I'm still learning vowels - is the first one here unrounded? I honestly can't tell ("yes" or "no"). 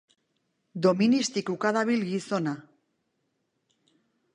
no